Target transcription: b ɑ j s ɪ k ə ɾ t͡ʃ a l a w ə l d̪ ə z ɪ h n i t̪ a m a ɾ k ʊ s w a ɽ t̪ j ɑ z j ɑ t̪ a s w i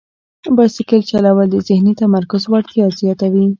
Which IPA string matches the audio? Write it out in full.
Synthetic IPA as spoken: b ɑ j s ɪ k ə l t͡ʃ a l a w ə l d̪ ə z ɪ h n i t̪ a m a ɾ k ʊ z w a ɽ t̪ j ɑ z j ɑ t̪ a w i